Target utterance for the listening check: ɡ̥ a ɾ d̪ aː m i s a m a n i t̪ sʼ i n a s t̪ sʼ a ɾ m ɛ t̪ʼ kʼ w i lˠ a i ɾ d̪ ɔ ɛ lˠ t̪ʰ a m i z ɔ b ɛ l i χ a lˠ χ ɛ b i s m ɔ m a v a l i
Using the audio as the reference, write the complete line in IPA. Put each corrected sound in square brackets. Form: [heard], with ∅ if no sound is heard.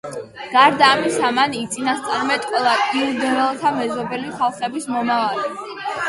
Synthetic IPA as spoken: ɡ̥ a ɾ d̪ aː m i s a m a n i t̪ sʼ i n a s t̪ sʼ a ɾ m ɛ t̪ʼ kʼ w [ɛ] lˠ a i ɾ d̪ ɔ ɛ lˠ t̪ʰ a m [ɛ] z ɔ b ɛ l i χ a lˠ χ ɛ b i s m ɔ m a v a l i